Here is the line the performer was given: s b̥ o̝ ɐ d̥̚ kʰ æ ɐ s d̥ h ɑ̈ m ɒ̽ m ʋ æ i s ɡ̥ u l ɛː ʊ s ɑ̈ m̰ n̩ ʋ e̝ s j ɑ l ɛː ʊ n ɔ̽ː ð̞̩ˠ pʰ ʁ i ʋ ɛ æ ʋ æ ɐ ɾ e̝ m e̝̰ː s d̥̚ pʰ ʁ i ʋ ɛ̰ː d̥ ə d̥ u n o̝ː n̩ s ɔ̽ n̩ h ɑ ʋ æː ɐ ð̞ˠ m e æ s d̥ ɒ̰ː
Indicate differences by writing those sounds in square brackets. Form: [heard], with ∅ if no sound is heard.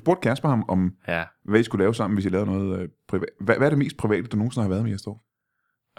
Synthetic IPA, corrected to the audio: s b̥ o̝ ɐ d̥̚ kʰ æ ɐ s [b̥] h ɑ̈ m ɒ̽ m ʋ æ i s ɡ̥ u l ɛː ʊ s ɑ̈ m̰ n̩ ʋ e̝ s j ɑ l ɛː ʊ n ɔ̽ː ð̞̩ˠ pʰ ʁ i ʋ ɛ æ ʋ æ ɐ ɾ e̝ m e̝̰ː s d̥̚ pʰ ʁ i ʋ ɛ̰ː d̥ ə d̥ u n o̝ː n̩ s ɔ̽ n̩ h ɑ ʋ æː ɐ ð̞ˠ m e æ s d̥ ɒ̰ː